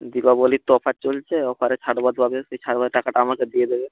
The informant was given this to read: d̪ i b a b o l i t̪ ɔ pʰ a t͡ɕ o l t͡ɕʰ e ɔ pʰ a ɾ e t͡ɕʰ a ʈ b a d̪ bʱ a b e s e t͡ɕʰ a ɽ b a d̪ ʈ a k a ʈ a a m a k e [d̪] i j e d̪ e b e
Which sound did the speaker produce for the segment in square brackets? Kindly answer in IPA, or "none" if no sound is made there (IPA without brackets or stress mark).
d̪